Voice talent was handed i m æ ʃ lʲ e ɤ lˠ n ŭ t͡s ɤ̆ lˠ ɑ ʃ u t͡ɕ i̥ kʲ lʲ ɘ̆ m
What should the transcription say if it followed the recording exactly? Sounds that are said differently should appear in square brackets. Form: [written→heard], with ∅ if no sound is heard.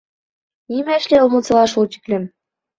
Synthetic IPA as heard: i m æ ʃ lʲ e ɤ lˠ [n→m] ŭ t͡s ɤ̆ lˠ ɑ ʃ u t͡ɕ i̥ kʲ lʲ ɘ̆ m